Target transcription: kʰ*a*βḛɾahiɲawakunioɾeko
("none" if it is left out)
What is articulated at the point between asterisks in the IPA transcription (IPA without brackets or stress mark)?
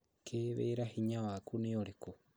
e